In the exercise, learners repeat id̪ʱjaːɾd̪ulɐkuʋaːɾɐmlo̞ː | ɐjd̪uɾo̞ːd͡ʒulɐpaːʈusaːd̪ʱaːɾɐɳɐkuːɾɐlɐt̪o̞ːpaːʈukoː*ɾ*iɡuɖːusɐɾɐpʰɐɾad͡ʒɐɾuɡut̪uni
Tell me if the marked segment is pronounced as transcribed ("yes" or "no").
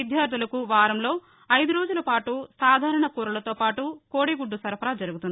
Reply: no